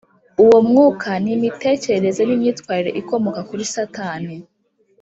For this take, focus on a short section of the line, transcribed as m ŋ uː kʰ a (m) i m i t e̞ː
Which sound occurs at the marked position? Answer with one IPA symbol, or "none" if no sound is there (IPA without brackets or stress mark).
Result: n